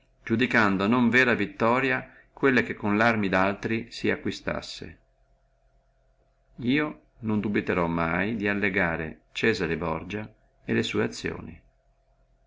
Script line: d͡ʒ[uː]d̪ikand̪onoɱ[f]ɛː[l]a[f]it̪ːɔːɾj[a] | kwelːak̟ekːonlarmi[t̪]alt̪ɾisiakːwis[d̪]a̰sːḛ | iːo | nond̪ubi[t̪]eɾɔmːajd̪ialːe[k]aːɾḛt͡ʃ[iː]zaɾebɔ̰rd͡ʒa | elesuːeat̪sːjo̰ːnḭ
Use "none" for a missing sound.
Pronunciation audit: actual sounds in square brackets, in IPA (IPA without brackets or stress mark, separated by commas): u, v, ɾ, v, a, d̪, t̪, t̪, ɡ, ɛː